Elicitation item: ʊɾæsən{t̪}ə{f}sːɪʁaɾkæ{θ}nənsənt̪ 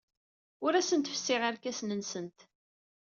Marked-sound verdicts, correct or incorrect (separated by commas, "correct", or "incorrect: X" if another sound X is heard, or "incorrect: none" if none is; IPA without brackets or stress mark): correct, correct, incorrect: s